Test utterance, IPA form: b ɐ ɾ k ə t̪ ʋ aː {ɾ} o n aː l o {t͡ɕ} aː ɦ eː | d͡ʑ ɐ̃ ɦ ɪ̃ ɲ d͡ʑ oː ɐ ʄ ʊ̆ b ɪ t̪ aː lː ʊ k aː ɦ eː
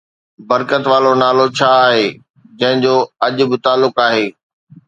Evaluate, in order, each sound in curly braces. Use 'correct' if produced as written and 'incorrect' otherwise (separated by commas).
incorrect, incorrect